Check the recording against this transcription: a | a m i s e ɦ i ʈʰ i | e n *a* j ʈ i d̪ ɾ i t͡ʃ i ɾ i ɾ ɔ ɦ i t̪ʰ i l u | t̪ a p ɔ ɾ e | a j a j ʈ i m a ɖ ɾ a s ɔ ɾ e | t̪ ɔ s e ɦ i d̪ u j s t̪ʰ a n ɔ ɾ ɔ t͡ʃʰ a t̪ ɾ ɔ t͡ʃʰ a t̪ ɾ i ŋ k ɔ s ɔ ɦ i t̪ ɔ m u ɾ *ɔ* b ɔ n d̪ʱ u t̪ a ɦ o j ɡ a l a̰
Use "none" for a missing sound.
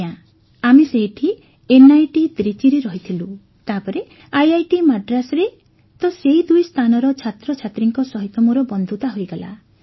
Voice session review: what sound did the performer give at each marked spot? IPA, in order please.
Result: a, ɔ

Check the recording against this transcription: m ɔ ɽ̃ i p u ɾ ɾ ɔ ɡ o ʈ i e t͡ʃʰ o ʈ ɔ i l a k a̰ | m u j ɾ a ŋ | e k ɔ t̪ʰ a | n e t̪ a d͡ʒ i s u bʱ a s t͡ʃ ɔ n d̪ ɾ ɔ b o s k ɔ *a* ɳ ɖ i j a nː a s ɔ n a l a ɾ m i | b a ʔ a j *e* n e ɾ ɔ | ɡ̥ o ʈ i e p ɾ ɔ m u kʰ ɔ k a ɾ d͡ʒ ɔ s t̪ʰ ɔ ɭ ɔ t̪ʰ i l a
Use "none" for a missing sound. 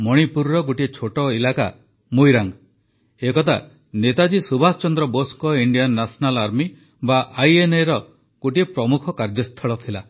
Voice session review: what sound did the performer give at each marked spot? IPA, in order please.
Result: i, e

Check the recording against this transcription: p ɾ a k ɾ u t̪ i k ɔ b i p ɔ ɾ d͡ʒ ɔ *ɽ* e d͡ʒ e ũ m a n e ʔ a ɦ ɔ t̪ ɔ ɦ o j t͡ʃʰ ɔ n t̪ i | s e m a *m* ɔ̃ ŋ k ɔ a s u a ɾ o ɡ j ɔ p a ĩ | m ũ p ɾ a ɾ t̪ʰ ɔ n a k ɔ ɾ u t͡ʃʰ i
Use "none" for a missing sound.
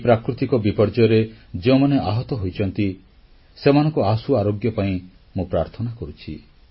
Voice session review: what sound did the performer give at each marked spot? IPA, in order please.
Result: ɾ, n

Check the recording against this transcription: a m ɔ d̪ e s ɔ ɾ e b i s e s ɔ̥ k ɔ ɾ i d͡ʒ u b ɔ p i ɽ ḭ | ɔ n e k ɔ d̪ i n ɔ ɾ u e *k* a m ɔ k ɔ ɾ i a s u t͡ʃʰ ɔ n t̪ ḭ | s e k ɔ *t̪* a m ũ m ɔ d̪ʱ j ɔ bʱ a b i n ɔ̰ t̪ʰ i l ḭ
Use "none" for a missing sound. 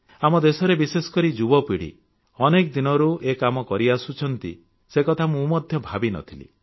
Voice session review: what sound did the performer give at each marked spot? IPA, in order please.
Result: k, t̪ʰ

